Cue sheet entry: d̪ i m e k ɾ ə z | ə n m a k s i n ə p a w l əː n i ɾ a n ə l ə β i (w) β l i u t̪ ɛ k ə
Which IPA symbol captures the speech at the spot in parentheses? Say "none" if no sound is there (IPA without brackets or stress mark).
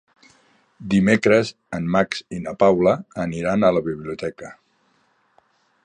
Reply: none